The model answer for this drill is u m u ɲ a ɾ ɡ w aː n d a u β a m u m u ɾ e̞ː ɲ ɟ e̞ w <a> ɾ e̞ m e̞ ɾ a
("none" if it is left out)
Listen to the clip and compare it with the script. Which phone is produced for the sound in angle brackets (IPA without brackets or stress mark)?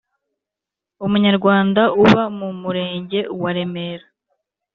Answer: a